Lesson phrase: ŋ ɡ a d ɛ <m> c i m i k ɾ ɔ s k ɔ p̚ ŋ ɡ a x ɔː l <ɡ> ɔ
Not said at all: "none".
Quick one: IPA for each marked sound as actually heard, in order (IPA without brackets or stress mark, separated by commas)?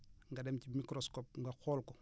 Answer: m, k